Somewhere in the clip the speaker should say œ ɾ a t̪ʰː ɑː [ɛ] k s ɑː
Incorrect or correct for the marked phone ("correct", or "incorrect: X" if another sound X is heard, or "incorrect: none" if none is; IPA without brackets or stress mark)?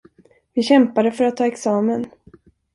correct